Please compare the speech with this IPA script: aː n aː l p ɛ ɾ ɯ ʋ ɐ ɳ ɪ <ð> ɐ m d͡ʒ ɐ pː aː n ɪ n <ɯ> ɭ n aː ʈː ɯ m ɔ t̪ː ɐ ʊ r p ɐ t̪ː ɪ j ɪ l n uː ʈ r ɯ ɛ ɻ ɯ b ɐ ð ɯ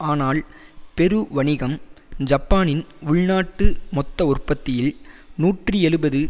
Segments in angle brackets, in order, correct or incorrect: incorrect: ɣ, incorrect: ʊ

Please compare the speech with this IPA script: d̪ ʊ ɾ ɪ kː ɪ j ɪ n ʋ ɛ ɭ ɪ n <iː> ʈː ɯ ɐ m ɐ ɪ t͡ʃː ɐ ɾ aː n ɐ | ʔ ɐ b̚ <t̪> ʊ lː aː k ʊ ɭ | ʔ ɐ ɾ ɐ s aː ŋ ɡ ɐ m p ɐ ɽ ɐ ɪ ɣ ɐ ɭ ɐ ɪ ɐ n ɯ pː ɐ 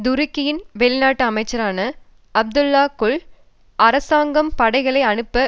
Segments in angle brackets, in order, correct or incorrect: incorrect: aː, incorrect: d̪

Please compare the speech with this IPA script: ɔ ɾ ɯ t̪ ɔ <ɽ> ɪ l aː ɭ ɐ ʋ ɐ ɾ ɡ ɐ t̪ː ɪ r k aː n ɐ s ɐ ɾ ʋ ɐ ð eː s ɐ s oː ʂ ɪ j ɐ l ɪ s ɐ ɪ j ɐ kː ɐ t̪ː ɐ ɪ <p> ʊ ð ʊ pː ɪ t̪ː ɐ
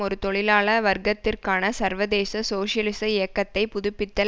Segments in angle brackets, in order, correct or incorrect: incorrect: ɭ, correct

